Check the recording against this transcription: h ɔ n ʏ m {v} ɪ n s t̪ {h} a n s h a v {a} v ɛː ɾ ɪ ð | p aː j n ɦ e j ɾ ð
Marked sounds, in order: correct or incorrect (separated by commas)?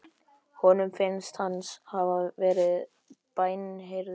incorrect, correct, correct